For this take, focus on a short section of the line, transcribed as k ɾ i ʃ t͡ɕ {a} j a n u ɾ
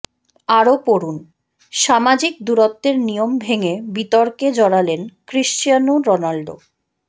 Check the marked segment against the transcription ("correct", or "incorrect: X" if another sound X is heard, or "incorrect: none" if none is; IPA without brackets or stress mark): incorrect: i